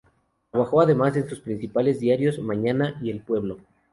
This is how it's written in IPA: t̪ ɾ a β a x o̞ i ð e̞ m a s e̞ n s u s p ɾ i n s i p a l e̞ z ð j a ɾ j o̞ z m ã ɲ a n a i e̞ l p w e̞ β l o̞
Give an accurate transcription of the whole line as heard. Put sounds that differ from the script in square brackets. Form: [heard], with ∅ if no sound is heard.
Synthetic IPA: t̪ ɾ a β a x o̞ [a] ð e̞ m a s e̞ n s u s p ɾ i n s i p a l e̞ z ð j a ɾ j o̞ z m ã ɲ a n a i e̞ l p w e̞ β l o̞